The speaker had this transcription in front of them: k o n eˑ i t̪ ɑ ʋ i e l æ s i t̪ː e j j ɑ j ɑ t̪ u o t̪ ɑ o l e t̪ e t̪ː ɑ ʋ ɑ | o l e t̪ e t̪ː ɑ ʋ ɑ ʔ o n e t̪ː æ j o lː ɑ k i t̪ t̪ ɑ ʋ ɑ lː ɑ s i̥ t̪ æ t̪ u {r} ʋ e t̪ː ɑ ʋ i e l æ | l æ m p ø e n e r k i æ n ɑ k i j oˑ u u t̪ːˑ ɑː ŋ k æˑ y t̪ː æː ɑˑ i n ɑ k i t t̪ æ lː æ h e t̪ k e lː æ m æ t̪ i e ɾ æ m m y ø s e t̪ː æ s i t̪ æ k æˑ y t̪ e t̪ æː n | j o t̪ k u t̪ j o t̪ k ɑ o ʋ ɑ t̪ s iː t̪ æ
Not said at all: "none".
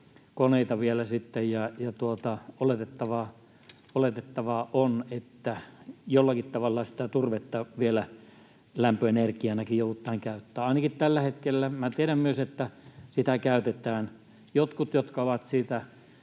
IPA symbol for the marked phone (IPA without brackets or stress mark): r